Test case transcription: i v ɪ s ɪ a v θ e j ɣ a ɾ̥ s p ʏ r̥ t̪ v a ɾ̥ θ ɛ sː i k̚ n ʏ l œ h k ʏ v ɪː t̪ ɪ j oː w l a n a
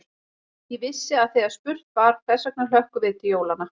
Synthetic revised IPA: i v ɪ sː ɪ a ð θ e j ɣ a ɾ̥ s p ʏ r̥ t̪ v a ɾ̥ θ ɛ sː a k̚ n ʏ l œ h k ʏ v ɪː t̪ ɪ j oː w l a n a